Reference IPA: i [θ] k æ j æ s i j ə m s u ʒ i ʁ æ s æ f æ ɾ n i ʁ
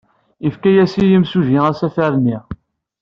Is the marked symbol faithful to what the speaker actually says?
no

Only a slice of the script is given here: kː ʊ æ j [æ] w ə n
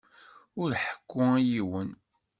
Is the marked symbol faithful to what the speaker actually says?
no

